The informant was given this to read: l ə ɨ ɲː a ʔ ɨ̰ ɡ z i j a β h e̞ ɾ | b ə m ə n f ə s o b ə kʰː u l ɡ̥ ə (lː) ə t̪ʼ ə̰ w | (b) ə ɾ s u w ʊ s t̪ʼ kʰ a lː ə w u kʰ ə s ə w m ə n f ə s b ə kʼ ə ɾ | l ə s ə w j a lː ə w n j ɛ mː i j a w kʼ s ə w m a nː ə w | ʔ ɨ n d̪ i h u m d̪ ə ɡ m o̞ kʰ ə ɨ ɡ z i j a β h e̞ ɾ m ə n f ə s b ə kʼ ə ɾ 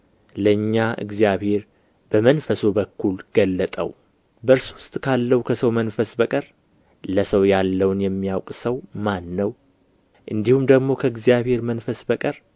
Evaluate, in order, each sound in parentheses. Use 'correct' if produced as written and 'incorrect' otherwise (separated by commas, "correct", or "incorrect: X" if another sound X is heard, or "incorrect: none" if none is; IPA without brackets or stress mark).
correct, correct